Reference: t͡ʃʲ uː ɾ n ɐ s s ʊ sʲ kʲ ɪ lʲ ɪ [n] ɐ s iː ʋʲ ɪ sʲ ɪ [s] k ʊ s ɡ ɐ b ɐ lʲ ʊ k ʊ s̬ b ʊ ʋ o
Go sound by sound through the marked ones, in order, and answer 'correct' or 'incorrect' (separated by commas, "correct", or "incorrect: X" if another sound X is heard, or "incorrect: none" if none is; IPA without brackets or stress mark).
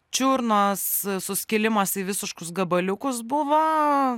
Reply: incorrect: m, incorrect: ʃ